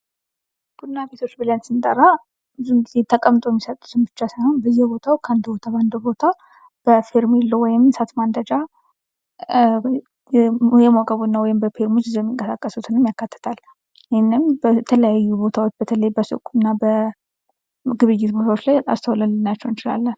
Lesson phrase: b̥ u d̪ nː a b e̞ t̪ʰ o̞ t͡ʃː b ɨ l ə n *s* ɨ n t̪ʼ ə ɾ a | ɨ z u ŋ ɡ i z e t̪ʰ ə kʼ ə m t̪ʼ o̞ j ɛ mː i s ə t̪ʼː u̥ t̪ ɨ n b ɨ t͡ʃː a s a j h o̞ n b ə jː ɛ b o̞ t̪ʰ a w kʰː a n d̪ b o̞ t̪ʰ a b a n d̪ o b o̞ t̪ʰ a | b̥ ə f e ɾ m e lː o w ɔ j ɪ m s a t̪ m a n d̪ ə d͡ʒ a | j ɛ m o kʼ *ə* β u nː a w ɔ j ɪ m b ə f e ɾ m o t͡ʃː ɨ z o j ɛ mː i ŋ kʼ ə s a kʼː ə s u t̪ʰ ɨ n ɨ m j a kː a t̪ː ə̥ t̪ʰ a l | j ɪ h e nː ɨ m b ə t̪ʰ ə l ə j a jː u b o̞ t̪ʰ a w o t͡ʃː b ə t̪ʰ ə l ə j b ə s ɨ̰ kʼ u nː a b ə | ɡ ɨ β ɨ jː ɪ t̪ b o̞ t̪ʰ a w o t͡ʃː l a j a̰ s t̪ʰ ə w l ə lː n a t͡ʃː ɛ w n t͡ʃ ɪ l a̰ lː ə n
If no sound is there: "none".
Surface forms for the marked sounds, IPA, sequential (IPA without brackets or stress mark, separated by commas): s, ə